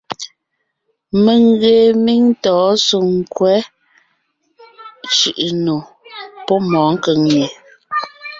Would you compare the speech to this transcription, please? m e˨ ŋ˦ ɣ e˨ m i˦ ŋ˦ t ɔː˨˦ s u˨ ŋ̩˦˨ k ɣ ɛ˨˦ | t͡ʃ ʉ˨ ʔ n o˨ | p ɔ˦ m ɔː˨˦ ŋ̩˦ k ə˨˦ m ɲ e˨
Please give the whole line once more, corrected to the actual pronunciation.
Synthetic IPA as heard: m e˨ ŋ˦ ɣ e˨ m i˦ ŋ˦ t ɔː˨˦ s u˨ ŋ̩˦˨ k w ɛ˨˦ | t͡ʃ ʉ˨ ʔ n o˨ | p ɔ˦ m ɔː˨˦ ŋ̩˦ k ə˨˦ ŋ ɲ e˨